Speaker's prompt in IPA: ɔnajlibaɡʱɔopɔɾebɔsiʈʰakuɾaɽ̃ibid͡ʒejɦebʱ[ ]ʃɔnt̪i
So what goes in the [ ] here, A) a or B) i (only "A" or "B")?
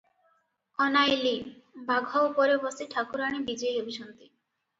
B